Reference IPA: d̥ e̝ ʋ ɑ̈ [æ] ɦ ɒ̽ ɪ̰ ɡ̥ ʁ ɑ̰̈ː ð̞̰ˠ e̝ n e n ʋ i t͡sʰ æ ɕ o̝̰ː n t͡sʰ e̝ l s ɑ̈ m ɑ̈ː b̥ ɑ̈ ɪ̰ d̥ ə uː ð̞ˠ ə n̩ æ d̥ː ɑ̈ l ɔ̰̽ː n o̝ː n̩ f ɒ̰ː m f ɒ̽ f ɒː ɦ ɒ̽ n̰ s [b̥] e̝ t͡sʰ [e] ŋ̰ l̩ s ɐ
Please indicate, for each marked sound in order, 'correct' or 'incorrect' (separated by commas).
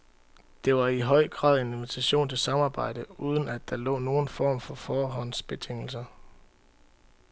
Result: incorrect, correct, correct